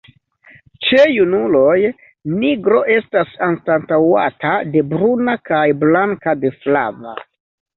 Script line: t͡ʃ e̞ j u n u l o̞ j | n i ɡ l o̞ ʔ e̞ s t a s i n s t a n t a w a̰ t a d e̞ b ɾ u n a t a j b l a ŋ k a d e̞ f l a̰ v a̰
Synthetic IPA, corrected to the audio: t͡ʃ e̞ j u n u l o̞ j | n i ɡ ɾ o̞ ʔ e̞ s t a s a n s t a n t a w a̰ t a d e̞ b ɾ u n a k a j b l a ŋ k a d e̞ f l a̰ v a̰